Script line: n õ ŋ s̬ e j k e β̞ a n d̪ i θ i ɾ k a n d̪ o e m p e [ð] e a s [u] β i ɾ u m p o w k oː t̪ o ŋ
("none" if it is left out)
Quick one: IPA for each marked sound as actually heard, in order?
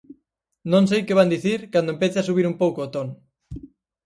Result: θ, u

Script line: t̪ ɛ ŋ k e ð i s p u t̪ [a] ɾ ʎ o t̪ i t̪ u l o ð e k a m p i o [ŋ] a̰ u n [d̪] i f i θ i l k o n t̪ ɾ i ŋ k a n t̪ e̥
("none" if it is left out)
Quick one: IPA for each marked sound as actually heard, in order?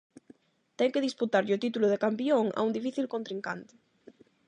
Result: a, ŋ, d̪

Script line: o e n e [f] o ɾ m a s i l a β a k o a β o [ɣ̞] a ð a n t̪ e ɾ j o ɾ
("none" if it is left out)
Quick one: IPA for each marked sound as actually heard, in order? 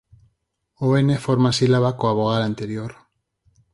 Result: f, ɣ̞

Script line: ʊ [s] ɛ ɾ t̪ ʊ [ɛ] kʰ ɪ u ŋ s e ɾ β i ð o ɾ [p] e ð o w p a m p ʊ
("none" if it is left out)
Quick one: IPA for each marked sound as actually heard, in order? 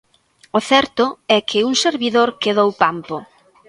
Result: θ, ɛ, k

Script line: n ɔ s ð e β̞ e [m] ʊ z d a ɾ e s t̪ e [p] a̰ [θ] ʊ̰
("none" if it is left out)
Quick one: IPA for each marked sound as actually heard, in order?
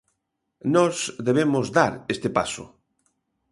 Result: m, p, s

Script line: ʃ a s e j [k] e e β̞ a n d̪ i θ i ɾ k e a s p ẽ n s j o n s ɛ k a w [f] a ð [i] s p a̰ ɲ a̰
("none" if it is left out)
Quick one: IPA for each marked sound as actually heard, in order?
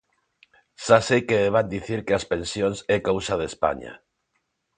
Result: k, s, e

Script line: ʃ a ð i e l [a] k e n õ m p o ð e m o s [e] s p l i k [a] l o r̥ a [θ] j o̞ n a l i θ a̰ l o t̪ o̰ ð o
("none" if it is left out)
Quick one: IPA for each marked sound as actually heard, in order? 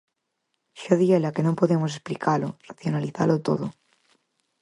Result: a, e, a, θ

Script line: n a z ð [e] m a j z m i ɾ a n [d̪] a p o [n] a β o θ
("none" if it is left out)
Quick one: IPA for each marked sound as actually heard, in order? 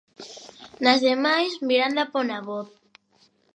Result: e, d̪, n

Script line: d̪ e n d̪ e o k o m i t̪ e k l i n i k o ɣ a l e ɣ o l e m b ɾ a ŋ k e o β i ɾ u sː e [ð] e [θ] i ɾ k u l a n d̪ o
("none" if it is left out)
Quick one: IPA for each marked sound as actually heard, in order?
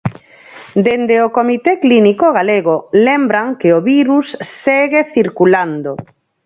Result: ɣ, θ

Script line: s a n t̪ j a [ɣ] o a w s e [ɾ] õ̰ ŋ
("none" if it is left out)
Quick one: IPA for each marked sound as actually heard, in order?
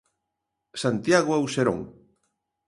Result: ɣ, ɾ

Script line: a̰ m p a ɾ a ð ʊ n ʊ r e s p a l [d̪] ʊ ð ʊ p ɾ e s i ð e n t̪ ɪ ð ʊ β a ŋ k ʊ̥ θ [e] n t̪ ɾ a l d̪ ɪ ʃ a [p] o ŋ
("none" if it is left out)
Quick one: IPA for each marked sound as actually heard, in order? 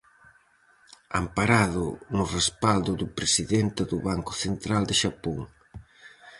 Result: d̪, e, p

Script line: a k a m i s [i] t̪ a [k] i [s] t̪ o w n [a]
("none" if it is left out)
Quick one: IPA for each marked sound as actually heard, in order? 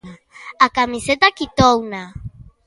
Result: e, k, none, a

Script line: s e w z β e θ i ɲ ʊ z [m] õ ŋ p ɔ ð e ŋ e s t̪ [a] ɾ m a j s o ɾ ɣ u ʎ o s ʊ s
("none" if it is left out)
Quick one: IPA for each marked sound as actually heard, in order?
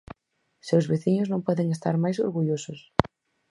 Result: n, a

